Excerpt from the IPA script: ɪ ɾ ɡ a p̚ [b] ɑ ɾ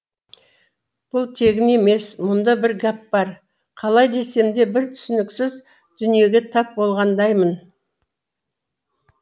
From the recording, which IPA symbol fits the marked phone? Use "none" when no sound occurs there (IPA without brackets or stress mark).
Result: b